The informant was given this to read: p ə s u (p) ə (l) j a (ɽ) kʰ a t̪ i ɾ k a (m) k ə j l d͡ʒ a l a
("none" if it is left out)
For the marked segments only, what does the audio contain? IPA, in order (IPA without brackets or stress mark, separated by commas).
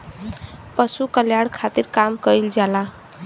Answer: k, l, ɽ, m